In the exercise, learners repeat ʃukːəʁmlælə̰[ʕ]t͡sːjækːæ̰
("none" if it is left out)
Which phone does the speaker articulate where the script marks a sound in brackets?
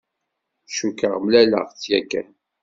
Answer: ʁ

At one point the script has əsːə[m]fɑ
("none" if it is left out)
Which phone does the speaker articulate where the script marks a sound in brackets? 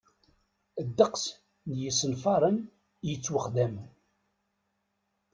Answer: n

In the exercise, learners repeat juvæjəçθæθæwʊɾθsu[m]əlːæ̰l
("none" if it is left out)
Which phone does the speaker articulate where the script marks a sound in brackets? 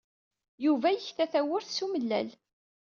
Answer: m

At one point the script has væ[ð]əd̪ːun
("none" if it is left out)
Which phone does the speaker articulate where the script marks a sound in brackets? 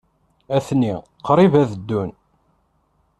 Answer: ð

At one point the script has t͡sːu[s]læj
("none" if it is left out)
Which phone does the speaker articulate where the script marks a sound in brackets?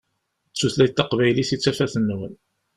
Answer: θ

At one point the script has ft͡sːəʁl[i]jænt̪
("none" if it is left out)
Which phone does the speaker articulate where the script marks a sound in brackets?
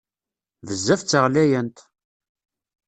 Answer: æ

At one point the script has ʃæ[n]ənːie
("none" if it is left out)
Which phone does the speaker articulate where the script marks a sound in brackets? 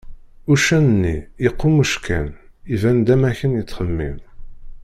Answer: n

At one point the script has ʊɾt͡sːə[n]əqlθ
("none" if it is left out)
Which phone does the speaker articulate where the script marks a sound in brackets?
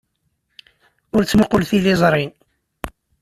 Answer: m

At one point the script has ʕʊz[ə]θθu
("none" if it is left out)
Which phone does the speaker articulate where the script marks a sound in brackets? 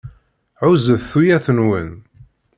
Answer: ə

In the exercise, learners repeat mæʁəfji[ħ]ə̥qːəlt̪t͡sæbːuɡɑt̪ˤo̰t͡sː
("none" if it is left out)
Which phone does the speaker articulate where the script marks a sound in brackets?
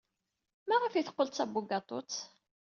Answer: θ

